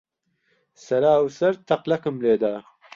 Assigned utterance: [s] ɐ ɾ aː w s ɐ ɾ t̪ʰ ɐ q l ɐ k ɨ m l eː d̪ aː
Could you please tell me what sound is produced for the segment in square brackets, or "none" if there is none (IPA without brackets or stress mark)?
s